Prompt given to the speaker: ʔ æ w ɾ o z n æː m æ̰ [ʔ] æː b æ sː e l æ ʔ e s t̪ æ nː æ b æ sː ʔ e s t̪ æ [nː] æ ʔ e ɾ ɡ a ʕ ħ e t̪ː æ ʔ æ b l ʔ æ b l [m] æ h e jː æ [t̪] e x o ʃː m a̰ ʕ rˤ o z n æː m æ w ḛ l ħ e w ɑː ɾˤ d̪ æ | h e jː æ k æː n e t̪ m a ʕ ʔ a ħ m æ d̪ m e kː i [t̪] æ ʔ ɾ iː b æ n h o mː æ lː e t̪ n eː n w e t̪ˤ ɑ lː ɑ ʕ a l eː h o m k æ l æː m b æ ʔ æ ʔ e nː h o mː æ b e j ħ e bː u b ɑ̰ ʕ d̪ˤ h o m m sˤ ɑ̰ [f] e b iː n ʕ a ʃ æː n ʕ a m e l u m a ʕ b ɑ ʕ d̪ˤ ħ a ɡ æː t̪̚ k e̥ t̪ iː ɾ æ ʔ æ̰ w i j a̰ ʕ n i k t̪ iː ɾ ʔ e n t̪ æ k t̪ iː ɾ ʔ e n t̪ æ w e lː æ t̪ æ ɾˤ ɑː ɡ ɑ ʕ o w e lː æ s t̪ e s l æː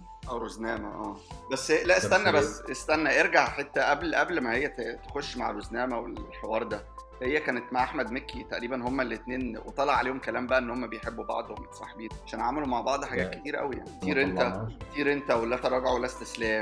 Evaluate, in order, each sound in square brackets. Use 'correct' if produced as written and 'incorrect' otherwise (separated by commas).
correct, correct, correct, correct, correct, incorrect